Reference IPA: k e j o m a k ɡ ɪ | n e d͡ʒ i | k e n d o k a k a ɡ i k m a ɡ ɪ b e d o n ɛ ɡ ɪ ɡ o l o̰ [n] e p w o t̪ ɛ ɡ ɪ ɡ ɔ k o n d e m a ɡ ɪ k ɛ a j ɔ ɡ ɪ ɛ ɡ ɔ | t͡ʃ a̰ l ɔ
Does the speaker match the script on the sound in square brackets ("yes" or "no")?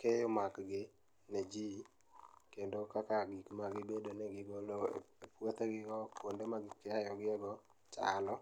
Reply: no